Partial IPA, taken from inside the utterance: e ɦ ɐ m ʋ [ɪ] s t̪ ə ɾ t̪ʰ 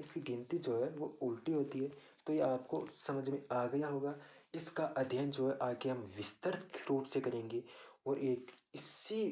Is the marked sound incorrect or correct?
correct